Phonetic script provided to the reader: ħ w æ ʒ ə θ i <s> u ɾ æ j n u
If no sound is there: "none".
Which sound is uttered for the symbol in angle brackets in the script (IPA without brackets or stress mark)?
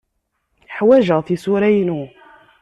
s